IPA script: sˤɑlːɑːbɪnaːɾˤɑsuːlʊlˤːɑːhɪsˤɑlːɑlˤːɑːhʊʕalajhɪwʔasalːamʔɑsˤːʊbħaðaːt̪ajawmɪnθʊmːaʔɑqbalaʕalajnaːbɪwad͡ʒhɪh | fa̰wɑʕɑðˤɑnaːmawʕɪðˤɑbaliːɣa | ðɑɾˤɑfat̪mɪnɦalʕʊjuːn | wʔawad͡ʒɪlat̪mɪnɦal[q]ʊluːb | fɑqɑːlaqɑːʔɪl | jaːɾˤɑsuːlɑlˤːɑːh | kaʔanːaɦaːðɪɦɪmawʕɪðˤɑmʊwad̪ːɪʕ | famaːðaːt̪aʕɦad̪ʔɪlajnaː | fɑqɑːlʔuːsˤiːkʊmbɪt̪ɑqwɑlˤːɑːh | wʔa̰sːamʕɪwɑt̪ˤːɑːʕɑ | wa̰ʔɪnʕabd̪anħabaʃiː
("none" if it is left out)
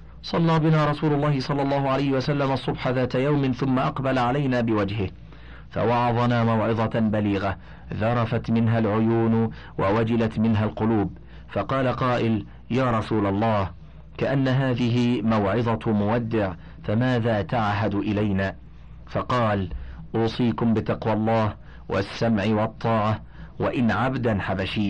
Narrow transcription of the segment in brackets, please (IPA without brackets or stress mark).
q